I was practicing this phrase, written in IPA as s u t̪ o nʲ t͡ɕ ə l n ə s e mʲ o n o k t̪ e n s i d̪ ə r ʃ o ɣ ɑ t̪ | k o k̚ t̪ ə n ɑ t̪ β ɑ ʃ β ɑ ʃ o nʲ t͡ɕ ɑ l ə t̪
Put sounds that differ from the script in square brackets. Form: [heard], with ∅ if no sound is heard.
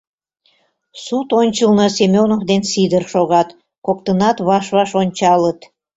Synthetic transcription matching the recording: s u t̪ o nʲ t͡ɕ ə l n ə s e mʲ o n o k [d̪] e n s i d̪ ə r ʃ o ɣ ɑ t̪ | k o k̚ t̪ ə n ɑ t̪ β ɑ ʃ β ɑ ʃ o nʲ t͡ɕ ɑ l ə t̪